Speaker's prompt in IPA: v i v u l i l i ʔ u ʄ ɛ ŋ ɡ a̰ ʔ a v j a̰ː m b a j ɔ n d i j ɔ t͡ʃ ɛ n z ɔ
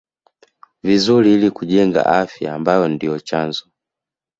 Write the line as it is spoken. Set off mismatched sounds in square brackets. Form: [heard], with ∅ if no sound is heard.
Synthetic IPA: v i [z] u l i l i [k] u ʄ ɛ ŋ ɡ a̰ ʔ a [f] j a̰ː m b a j ɔ n d i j ɔ t͡ʃ [a] n z ɔ